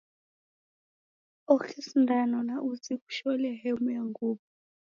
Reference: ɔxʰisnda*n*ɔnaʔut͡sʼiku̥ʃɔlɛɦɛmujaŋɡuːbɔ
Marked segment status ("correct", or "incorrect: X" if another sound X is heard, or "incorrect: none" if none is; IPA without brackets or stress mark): correct